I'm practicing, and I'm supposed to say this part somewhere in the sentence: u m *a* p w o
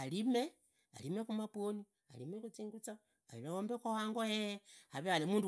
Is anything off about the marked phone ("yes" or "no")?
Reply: no